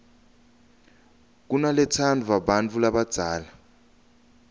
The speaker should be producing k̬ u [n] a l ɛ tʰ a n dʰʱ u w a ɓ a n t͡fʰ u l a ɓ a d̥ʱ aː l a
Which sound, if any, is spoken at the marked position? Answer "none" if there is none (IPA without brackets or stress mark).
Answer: n